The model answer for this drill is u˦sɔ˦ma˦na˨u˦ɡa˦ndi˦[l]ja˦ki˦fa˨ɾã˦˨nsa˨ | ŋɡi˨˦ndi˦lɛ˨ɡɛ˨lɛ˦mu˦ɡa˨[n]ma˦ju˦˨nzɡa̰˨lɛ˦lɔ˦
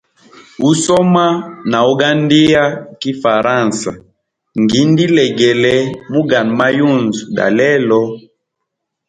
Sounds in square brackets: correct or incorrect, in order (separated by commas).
incorrect, correct